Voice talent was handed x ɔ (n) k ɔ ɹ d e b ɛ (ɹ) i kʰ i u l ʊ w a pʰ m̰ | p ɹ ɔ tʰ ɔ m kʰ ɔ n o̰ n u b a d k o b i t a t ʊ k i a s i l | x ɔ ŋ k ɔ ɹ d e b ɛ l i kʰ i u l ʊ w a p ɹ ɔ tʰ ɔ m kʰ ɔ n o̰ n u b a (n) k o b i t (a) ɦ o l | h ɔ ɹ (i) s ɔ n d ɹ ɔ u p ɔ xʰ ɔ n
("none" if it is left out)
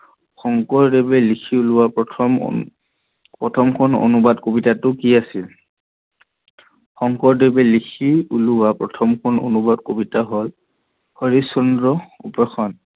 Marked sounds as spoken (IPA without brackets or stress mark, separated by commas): ŋ, l, d, a, i